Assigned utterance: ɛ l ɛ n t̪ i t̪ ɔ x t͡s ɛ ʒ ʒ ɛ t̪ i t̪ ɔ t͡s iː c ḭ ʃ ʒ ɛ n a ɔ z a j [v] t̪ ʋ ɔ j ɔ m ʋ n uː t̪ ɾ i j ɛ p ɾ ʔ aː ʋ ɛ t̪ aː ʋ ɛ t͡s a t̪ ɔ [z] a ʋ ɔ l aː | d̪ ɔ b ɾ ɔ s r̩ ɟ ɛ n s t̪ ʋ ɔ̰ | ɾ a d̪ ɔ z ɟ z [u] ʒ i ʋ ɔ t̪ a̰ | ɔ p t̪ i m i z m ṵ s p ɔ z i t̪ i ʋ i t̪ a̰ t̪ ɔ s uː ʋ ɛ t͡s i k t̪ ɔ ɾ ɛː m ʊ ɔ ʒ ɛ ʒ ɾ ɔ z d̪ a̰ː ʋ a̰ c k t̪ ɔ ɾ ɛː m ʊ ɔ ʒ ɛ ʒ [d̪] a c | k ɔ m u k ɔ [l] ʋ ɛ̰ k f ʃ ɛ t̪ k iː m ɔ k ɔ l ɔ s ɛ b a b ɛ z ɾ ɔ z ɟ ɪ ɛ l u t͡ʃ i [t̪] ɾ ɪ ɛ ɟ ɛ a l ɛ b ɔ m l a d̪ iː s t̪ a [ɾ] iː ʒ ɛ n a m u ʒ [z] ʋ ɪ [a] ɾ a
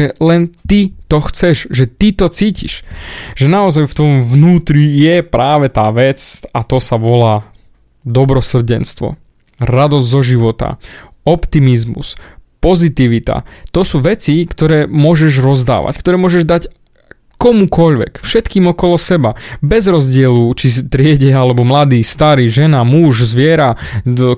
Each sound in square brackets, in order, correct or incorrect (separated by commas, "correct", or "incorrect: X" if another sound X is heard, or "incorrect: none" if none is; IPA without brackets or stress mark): incorrect: f, incorrect: s, incorrect: ɔ, correct, incorrect: ʎ, correct, correct, correct, incorrect: ɛ